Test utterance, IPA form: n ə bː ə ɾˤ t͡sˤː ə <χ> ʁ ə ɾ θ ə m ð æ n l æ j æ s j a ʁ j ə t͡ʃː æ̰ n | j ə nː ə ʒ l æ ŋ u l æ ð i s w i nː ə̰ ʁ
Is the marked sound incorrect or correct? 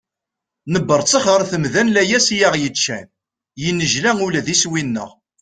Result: correct